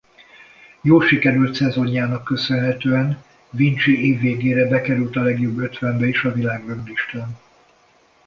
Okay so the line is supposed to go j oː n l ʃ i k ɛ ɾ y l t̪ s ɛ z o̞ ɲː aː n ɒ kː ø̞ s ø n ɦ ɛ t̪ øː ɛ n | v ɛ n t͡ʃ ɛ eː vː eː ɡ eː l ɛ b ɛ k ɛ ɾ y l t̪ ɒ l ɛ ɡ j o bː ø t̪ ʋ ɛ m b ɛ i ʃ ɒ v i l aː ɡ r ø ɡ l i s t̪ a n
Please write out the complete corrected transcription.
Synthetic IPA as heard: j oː l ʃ i k ɛ ɾ y l t̪ s ɛ z o̞ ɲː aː n ɒ kː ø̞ s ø n ɦ ɛ t̪ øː ɛ n | v i n t͡ʃ i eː vː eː ɡ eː ɾ ɛ b ɛ k ɛ ɾ y l t̪ ɒ l ɛ ɡ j o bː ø t̪ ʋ ɛ m b ɛ i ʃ ɒ v i l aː ɡ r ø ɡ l i ʃ t̪ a n